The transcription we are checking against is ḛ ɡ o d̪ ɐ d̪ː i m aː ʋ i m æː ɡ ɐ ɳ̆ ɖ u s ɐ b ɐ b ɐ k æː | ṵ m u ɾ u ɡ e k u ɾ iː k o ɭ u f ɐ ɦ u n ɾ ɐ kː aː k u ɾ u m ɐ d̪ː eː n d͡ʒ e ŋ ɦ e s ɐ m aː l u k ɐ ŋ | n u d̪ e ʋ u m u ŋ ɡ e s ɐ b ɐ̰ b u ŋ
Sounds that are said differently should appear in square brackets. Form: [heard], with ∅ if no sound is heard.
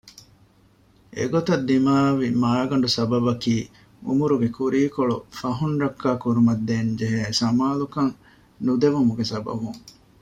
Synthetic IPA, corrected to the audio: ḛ ɡ o [t̪] ɐ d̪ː i m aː ʋ i m [aː] ɡ ɐ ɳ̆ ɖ u s ɐ b ɐ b ɐ k [iː] | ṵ m u ɾ u ɡ e k u ɾ iː k o ɭ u f ɐ ɦ u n ɾ ɐ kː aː k u ɾ u m ɐ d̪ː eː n d͡ʒ e [∅] ɦ e s ɐ m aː l u k ɐ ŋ | n u d̪ e ʋ u m u [∅] ɡ e s ɐ b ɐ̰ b u ŋ